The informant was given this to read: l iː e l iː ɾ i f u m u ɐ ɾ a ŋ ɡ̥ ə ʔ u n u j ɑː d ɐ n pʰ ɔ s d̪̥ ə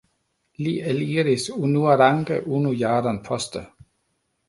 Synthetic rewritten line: l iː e l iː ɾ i s u n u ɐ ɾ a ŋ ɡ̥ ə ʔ u n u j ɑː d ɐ n pʰ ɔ s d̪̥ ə